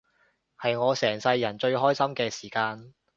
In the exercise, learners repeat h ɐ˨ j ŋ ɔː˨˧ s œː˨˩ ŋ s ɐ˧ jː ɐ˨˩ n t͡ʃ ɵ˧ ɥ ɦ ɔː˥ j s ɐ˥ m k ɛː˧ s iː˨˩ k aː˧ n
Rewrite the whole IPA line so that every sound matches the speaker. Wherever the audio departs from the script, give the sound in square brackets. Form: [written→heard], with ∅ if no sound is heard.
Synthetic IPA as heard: h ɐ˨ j ŋ ɔː˨˧ s [œː˨˩→ɛː˨˩] ŋ s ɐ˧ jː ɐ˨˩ n t͡ʃ ɵ˧ ɥ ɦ ɔː˥ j s ɐ˥ m k ɛː˧ s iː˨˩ k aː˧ n